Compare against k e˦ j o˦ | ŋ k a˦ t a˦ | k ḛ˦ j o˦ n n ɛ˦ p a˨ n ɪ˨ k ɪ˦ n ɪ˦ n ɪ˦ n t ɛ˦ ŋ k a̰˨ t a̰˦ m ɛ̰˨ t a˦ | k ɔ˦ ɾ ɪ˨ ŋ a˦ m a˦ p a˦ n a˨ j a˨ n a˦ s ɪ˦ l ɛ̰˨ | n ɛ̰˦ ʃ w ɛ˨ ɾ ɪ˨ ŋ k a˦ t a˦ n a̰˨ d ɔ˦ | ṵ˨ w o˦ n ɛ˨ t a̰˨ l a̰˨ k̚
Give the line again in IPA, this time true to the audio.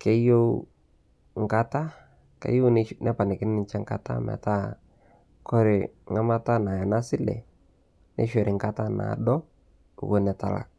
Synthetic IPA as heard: k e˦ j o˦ | ŋ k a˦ t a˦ | k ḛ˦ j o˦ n n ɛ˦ p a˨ n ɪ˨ k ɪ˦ n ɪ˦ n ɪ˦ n t͡ʃ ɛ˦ ŋ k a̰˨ t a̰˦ m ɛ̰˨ t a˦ | k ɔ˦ ɾ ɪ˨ ŋ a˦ m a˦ t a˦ n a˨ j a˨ n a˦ s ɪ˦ l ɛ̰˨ | n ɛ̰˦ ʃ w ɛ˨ ɾ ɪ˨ ŋ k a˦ t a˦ n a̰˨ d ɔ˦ | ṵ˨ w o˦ n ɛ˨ t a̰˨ l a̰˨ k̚